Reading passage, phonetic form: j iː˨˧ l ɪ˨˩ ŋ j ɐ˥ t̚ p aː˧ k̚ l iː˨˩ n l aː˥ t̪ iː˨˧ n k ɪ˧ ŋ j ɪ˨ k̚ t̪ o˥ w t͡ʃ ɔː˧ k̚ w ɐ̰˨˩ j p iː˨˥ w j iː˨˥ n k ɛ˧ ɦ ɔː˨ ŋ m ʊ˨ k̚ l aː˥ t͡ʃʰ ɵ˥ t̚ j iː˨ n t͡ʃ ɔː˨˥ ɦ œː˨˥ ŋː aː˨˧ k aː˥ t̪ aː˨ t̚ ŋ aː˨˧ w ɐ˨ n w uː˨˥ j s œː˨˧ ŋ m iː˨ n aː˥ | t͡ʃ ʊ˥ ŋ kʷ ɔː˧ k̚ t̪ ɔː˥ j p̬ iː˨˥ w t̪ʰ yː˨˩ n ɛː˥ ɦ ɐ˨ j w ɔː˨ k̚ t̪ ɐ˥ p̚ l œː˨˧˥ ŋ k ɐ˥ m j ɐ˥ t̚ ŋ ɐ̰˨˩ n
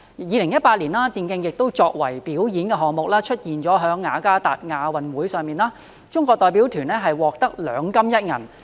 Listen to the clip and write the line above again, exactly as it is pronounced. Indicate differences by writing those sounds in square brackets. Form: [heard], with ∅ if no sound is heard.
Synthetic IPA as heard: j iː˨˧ l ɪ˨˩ ŋ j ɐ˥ t̚ p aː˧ [t̚] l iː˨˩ n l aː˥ t̪ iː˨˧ n k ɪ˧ ŋ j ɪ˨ k̚ t̪ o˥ w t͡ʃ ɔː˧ k̚ w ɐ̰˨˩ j p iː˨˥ w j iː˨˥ n k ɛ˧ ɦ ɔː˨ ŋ m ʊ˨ k̚ l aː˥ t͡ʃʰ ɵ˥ t̚ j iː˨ n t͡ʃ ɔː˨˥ ɦ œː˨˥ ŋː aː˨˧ k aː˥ t̪ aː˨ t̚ ŋ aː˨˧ w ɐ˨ n w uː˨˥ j s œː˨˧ ŋ m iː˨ n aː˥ | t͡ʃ ʊ˥ ŋ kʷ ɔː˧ k̚ t̪ [ɔː˨˧] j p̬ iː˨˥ w t̪ʰ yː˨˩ n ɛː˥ ɦ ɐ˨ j w ɔː˨ k̚ t̪ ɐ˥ [k̚] l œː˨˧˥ ŋ k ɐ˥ m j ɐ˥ t̚ ŋ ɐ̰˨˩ n

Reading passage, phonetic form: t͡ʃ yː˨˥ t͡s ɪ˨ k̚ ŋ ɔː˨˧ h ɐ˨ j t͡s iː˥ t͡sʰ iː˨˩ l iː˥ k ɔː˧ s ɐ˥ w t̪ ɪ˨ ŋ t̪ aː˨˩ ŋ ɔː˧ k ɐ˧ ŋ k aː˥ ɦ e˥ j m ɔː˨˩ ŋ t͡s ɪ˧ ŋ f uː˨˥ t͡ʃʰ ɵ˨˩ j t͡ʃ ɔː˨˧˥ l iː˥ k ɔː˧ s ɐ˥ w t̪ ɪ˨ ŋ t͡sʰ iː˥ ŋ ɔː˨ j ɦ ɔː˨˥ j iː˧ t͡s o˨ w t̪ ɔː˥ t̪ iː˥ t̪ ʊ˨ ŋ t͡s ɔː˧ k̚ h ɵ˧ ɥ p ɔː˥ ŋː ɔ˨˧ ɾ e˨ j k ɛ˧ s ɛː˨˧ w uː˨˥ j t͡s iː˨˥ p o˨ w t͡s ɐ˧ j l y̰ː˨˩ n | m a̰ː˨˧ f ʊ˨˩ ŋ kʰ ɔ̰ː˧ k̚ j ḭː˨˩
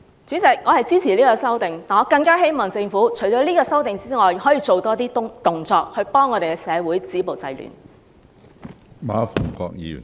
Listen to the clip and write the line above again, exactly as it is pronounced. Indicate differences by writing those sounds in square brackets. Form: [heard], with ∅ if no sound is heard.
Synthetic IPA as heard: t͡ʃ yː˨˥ t͡s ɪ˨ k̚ ŋ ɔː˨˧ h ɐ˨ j t͡s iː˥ t͡sʰ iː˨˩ l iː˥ k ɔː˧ s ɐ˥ w t̪ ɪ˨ ŋ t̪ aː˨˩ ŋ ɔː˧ k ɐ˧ ŋ k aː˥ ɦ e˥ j m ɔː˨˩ ŋ t͡s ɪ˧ ŋ f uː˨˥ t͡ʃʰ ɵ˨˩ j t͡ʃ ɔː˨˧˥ l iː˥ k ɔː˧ s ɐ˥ w t̪ ɪ˨ ŋ [t͡s] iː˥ ŋ ɔː˨ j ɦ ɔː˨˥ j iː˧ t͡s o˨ w t̪ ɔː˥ t̪ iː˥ t̪ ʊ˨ ŋ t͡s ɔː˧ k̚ h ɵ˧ ɥ p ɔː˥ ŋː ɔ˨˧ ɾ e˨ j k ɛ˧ s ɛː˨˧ w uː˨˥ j t͡s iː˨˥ p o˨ w t͡s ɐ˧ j l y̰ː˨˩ n | m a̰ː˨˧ f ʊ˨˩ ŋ [k] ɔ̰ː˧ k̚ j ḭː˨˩

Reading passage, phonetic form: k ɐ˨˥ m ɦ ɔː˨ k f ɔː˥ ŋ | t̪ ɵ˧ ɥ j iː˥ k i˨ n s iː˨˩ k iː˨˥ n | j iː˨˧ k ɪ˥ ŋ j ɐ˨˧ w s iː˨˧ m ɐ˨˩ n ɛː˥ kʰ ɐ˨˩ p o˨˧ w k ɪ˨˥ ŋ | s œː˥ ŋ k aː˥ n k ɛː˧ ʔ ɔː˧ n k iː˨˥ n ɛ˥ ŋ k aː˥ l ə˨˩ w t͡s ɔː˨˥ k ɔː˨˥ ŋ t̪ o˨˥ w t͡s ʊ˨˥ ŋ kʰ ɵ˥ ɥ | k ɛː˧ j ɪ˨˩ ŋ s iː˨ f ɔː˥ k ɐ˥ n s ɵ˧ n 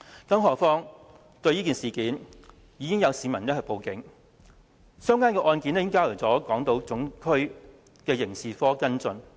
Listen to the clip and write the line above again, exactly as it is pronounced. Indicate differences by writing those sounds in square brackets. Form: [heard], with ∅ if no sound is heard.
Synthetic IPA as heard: k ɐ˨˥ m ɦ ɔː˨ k f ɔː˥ ŋ | t̪ ɵ˧ ɥ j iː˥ k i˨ n s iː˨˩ k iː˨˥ n | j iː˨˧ k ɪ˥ ŋ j ɐ˨˧ w s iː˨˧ m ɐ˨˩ n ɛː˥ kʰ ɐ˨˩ p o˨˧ w k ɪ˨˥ ŋ | s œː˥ ŋ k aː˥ n k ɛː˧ ʔ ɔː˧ n k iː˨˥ n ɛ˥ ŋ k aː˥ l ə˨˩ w t͡s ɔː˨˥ k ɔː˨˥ ŋ t̪ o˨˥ w t͡s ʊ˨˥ ŋ kʰ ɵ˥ ɥ | k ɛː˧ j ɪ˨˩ ŋ s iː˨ f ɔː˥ k ɐ˥ n [t͡s] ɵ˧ n

